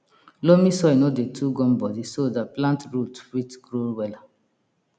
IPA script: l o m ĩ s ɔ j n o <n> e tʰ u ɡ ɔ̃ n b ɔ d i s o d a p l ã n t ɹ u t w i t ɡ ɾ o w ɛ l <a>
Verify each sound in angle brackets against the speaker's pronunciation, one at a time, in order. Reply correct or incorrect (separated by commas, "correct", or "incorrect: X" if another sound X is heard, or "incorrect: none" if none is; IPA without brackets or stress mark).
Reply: incorrect: d, correct